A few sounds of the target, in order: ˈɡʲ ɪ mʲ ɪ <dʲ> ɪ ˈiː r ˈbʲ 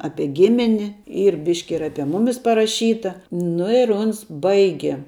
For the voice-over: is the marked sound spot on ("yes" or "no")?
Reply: no